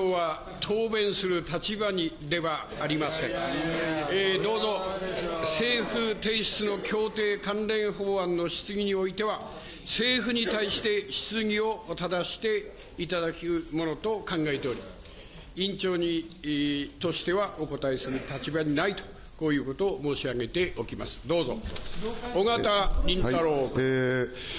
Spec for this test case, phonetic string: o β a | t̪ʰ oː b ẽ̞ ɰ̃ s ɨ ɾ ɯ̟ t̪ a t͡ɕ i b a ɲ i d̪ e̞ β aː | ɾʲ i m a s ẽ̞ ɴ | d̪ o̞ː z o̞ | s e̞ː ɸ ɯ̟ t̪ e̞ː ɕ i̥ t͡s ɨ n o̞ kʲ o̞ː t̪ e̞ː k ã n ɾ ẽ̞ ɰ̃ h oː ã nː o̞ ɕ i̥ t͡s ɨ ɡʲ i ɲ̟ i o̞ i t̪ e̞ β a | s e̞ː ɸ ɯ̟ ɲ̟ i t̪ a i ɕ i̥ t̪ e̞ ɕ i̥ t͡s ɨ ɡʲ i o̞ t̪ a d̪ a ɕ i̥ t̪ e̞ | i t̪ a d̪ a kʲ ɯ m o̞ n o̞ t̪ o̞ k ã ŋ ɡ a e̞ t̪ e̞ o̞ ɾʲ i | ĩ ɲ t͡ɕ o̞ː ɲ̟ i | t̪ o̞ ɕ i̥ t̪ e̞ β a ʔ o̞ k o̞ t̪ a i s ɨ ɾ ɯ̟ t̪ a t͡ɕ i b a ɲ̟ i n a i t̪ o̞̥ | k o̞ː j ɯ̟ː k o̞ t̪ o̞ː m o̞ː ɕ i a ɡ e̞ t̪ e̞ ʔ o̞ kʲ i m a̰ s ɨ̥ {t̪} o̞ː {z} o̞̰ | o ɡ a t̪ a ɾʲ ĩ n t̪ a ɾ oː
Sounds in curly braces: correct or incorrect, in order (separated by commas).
incorrect, correct